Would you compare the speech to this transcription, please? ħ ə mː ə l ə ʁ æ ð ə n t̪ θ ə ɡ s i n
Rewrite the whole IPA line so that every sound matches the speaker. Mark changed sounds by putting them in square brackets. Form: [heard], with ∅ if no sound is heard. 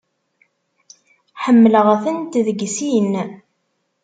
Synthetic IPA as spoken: ħ ə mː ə l ə ʁ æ [θ] ə n t̪ [ð] ə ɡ s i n